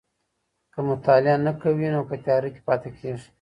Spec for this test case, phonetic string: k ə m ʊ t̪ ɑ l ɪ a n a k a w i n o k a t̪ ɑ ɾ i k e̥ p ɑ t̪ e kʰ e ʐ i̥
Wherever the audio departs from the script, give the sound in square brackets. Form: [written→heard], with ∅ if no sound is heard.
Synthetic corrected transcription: k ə m ʊ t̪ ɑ l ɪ a n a k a w i n o k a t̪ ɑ ɾ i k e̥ p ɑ t̪ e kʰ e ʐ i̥